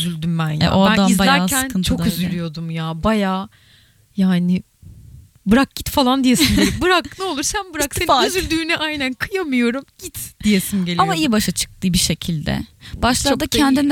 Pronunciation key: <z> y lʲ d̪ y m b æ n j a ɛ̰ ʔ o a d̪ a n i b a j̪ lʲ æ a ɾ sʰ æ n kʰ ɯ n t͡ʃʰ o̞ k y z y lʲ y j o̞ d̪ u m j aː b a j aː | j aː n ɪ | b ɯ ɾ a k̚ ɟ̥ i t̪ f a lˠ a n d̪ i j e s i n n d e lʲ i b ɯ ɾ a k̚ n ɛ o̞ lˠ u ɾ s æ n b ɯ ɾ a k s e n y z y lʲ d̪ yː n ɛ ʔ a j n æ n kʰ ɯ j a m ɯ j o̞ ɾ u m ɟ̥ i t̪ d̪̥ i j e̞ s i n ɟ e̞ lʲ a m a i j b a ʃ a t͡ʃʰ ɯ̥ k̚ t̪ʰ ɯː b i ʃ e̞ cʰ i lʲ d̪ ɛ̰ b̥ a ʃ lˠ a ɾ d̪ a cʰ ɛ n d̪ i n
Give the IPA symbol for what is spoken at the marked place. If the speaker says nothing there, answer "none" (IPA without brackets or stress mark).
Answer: z